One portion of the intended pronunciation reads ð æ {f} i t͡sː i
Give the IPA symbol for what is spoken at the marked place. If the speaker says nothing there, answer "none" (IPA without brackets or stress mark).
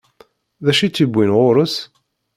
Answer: ʃ